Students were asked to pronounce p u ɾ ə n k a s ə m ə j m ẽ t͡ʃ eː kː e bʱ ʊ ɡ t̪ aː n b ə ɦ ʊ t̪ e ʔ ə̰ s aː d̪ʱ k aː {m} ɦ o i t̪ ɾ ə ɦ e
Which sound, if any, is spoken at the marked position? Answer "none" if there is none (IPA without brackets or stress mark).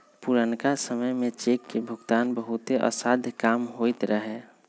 m